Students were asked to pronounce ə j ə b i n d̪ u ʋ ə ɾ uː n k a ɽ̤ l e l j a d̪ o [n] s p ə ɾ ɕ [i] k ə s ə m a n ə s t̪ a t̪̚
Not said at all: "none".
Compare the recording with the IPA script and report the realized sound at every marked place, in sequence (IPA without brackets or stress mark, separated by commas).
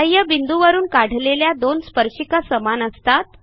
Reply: n, i